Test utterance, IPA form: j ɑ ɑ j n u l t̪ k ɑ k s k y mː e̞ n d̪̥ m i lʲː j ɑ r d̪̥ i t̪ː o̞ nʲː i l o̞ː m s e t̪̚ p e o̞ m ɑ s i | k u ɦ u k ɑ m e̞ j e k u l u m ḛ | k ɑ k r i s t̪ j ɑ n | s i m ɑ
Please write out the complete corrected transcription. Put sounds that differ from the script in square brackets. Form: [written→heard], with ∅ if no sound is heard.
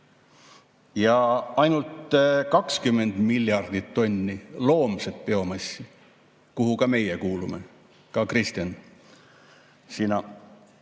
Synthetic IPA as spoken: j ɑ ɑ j n u l t̪ k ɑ k s k y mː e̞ n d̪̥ m i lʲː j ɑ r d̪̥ i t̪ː o̞ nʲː i l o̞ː m s e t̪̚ p e o̞ m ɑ s i | k u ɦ u k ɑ m e̞ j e k [u→uː] l u m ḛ | k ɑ k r i s t̪ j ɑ n | s i [m→n] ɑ